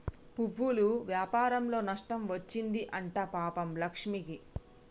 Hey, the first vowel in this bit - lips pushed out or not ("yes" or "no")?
yes